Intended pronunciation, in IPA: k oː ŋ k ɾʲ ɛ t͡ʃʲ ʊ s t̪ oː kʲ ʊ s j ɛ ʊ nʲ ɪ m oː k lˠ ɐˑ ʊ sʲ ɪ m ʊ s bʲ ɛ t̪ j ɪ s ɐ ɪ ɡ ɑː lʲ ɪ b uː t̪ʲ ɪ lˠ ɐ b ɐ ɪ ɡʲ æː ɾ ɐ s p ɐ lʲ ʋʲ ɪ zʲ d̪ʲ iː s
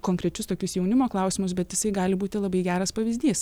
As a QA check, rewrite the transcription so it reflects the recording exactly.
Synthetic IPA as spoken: k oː ŋ k ɾʲ ɛ t͡ʃʲ ʊ s t̪ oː kʲ ʊ s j ɛ ʊ nʲ ɪ m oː k lˠ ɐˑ ʊ sʲ ɪ m ʊ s bʲ ɛ t̪ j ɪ s ɐ ɪ ɡ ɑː lʲ ɪ b uː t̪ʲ ɪ lˠ ɐ b ɐ ɪ ɡʲ æː ɾ ɐ s p ɐ ʋʲ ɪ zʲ d̪ʲ iː s